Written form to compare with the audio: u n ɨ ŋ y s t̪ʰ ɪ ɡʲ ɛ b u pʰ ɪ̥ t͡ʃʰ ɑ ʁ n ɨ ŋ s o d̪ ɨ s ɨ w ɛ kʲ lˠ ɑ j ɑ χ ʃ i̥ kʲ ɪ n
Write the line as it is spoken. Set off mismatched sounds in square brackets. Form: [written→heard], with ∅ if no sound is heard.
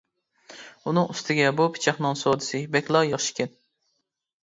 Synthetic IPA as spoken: u n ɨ ŋ y s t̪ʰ ɪ ɡʲ ɛ b u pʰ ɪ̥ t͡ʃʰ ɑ [ʁ→χ] n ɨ ŋ s o d̪ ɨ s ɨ [w→b] ɛ kʲ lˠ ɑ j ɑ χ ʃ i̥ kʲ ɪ n